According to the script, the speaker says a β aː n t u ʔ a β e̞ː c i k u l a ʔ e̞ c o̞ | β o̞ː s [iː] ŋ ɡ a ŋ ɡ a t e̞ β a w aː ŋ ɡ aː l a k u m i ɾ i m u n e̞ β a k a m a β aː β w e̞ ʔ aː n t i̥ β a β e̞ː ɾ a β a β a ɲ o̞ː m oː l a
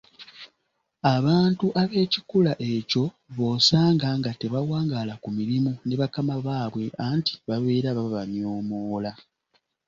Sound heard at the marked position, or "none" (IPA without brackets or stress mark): aː